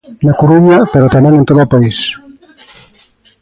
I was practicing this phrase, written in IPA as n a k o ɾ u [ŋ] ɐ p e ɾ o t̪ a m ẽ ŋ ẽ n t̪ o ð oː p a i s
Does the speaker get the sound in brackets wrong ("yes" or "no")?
yes